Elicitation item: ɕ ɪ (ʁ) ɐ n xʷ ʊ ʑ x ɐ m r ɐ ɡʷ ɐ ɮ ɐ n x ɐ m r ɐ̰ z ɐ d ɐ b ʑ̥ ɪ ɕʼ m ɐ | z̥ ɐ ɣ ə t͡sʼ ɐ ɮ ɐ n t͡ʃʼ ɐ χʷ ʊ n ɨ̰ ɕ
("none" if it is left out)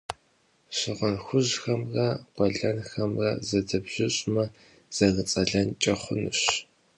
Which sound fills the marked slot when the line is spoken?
ʁ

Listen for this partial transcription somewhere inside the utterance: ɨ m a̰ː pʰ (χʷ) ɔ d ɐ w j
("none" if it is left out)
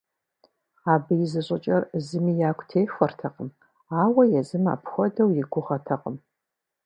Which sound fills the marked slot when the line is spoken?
xʷ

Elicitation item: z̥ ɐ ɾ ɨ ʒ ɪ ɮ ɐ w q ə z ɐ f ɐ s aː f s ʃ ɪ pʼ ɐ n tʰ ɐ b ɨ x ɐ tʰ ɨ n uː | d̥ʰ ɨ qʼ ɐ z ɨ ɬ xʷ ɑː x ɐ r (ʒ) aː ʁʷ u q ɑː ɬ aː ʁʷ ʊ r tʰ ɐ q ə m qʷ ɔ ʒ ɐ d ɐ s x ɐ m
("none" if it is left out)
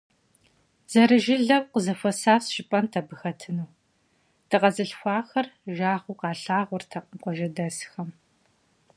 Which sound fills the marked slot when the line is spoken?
ʒ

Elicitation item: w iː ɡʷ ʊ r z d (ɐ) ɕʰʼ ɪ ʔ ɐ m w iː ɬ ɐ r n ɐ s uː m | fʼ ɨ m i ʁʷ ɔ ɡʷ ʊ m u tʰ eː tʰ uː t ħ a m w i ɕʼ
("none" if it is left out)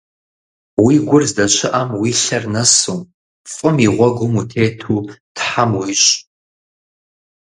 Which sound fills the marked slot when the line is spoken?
ɐ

